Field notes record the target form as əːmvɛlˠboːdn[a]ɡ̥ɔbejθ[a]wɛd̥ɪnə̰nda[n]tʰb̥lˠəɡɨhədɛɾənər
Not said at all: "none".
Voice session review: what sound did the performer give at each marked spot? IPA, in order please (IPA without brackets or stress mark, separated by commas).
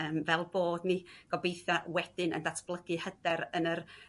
i, a, none